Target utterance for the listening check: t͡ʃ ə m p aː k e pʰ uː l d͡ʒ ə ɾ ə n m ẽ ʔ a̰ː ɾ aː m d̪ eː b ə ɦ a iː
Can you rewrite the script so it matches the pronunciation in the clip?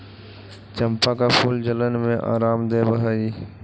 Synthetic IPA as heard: t͡ʃ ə m p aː k a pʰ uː l d͡ʒ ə l ə n m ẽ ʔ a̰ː ɾ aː m d̪ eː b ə ɦ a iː